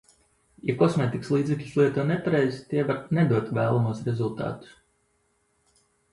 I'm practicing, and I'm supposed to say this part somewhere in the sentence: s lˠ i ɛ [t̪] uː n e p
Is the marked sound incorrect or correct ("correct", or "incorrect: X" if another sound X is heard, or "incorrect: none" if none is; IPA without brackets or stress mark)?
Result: correct